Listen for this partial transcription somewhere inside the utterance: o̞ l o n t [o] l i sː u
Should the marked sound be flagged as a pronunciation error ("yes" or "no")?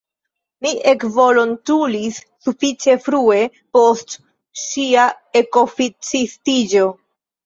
yes